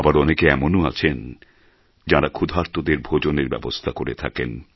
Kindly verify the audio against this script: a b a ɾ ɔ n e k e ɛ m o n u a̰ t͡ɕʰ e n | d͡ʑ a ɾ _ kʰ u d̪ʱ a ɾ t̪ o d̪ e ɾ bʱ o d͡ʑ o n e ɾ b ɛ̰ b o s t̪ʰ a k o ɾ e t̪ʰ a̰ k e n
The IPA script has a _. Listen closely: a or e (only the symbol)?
a